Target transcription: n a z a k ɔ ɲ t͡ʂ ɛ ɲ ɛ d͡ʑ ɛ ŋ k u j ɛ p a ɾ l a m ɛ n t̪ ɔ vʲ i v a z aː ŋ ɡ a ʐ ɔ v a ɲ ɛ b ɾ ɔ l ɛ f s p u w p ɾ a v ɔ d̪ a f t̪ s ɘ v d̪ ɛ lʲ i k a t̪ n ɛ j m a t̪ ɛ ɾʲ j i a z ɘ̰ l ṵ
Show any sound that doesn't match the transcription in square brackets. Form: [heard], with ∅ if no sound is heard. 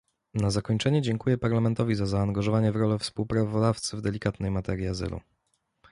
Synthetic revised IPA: n a z a k ɔ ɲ t͡ʂ ɛ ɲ ɛ d͡ʑ ɛ ŋ k u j ɛ p a ɾ l a m ɛ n t̪ ɔ vʲ i [z] a z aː ŋ ɡ a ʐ ɔ v a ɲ ɛ [v] ɾ ɔ l ɛ f s p u w p ɾ a v ɔ d̪ a f t̪ s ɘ v d̪ ɛ lʲ i k a t̪ n ɛ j m a t̪ ɛ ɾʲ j i a z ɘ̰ l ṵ